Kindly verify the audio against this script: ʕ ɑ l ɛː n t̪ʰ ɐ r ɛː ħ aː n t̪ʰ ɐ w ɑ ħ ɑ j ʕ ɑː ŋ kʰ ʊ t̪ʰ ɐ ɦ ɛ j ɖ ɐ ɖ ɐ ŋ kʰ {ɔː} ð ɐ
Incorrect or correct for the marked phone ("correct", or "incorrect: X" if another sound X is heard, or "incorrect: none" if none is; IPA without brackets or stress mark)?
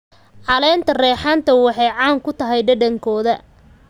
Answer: correct